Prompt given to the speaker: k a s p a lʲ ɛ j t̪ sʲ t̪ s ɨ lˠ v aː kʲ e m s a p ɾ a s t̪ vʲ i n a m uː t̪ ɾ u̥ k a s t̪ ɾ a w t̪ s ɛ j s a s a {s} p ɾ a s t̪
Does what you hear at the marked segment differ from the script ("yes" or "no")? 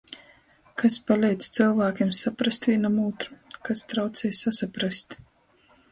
yes